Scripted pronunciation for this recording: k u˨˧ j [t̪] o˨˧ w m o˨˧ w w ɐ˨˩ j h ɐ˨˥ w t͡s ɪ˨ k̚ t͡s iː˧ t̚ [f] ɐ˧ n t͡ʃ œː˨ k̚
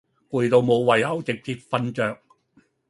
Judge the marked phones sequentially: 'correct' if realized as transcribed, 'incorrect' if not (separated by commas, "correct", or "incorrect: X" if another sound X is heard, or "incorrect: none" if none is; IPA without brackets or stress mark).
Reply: correct, correct